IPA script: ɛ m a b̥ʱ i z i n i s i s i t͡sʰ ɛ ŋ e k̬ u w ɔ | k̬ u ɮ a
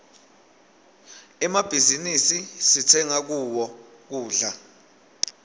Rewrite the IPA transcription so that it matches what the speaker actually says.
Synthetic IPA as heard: ɛ m a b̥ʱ i z i n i s i s i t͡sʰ ɛ ŋ a k̬ u w ɔ | k̬ uː ɮ a